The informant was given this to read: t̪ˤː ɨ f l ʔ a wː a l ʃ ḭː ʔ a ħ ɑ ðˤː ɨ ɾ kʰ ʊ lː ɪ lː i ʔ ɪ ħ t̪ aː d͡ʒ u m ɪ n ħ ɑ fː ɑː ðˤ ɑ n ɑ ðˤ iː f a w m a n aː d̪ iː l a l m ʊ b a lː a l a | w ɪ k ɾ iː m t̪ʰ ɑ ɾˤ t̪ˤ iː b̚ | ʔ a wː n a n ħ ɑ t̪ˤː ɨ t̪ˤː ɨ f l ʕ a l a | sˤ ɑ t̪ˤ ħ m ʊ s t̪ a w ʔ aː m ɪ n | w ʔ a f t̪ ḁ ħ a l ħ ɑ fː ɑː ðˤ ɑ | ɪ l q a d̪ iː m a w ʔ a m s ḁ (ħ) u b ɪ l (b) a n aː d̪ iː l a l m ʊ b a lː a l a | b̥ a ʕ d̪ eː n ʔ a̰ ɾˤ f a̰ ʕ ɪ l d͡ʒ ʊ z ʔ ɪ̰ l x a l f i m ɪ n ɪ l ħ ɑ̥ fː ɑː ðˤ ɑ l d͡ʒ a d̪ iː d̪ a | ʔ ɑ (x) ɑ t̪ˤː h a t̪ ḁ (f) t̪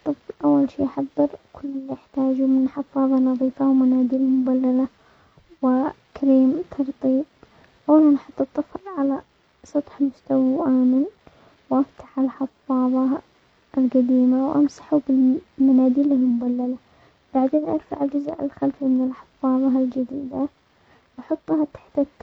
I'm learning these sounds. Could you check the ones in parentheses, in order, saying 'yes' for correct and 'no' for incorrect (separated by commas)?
yes, no, no, no